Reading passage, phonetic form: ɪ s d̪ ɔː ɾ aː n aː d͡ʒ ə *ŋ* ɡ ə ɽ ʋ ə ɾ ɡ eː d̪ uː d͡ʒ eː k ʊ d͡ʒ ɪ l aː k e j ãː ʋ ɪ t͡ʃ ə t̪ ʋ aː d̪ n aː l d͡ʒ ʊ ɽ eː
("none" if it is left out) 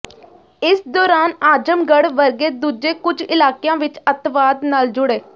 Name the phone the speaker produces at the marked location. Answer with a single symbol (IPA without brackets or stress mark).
m